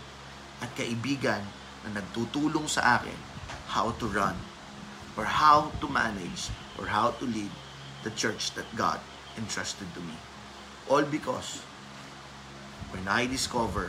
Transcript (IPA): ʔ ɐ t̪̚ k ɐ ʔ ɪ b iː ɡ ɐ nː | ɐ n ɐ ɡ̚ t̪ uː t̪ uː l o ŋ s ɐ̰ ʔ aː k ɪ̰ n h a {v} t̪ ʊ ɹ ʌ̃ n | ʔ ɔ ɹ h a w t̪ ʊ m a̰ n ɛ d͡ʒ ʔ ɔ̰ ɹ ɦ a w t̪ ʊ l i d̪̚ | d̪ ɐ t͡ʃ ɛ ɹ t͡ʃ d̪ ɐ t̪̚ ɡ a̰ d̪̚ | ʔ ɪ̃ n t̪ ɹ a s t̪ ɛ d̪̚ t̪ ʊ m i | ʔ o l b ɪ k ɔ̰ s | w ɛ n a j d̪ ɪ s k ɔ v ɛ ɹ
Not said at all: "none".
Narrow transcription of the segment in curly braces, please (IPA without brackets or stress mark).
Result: w